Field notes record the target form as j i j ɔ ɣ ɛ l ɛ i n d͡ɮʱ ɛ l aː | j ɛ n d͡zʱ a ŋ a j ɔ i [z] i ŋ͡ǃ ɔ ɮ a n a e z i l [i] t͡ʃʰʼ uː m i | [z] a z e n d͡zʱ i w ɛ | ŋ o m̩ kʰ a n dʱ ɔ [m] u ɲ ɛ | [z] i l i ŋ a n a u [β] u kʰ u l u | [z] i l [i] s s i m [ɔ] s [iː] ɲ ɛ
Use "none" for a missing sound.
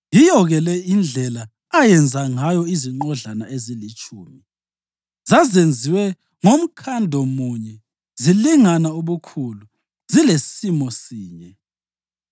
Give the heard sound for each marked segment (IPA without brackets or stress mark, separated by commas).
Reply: z, i, z, m, z, β, z, e, ɔ, iː